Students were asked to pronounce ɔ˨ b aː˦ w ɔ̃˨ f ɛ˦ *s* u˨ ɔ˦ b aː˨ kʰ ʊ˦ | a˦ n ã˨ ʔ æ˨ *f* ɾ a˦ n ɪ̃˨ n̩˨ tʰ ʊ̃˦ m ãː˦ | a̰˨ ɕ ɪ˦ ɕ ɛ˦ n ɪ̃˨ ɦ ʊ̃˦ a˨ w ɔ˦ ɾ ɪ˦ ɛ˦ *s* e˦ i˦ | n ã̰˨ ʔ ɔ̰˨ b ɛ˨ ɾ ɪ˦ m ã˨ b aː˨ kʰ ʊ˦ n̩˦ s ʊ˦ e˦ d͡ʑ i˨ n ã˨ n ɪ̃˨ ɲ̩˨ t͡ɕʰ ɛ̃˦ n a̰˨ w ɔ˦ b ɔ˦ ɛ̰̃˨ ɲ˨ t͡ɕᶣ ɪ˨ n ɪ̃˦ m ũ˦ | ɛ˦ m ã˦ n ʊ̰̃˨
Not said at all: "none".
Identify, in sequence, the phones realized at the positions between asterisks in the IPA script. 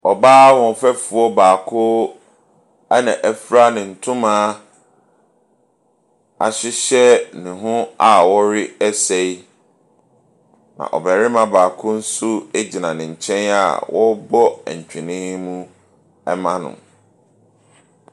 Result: f, f, s

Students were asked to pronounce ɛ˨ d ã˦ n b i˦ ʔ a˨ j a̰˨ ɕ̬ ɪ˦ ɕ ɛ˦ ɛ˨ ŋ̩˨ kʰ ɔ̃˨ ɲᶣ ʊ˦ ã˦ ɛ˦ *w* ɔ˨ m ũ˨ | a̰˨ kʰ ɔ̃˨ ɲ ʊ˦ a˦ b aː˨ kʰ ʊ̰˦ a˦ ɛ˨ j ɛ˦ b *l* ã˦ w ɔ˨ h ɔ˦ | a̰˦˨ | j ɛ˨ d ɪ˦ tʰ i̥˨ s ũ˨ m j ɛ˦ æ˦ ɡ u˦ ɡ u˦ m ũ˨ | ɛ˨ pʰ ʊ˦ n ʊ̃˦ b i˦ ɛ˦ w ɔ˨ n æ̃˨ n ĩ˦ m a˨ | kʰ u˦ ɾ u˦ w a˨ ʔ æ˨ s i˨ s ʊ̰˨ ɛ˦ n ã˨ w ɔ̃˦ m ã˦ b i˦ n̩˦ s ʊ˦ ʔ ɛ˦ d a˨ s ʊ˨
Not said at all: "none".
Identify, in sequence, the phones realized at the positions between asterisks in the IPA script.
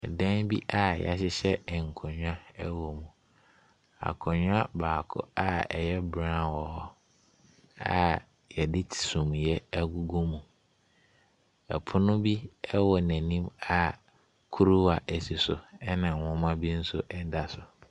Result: w, ɾ

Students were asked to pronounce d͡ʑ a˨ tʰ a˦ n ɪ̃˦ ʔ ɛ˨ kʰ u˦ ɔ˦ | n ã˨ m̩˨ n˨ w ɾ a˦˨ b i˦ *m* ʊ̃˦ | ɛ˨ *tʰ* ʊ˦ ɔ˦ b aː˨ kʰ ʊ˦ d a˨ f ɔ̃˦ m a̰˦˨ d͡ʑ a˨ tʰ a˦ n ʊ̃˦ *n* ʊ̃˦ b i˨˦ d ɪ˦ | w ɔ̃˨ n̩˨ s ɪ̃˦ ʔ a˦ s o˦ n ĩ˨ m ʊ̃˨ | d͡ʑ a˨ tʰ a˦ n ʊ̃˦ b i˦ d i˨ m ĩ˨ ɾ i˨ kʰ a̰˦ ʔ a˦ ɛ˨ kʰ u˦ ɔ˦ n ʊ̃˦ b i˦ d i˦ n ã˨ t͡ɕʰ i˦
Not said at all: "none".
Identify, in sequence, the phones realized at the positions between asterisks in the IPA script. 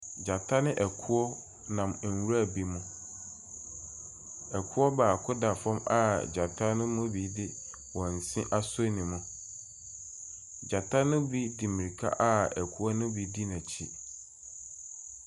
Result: m, kʰ, m

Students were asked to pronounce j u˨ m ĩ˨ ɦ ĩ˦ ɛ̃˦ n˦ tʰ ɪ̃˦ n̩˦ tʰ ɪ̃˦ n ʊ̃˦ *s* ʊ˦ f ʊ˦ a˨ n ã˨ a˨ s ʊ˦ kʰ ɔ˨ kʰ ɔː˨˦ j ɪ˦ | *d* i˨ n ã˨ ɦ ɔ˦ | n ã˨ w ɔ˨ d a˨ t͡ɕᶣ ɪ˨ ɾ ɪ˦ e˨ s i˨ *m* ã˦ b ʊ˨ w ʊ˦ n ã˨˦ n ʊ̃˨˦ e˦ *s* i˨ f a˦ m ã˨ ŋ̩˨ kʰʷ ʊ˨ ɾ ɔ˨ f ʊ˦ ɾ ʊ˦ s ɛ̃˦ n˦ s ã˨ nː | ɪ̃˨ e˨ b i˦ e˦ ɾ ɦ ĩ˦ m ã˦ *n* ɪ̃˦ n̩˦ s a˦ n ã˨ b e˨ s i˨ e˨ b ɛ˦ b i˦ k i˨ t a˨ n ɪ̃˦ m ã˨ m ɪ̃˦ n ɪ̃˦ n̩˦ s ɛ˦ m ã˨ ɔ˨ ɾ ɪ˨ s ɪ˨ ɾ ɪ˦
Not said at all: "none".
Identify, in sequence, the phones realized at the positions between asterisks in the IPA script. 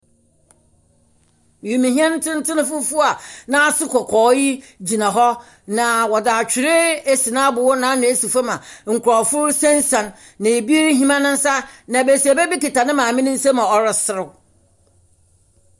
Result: f, d͡ʑ, n, s, n

